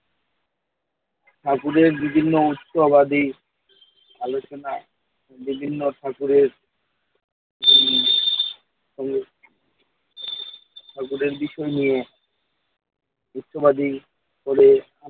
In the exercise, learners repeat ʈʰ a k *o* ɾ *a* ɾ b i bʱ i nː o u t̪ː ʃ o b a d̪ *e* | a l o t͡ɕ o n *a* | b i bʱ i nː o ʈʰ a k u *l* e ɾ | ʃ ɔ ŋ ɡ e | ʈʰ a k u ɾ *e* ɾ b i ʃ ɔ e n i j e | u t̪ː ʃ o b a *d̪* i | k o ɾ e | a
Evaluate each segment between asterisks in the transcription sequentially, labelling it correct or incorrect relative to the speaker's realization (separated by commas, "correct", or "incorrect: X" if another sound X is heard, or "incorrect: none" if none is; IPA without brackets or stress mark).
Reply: incorrect: u, incorrect: e, incorrect: i, correct, incorrect: ɾ, correct, correct